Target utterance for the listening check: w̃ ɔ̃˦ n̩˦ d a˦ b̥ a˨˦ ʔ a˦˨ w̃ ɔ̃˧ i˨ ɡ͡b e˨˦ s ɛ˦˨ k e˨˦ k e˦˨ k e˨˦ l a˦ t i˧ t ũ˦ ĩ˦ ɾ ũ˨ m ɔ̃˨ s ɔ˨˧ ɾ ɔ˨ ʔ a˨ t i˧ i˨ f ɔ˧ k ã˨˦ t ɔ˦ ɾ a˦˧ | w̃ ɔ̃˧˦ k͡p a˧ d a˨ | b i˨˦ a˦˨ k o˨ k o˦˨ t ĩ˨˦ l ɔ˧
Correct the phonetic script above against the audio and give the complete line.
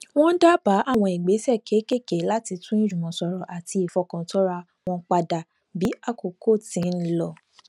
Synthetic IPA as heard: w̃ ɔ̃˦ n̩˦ d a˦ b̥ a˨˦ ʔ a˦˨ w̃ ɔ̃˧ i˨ ɡ͡b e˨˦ s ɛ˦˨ k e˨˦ k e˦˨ k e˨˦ l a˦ t i˧ t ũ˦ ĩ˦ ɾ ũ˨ m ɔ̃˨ s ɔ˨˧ ɾ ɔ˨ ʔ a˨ t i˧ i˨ f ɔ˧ k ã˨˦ t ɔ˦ ɾ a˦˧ | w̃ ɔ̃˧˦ k͡p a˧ d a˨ | b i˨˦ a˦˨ k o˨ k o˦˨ t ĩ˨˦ l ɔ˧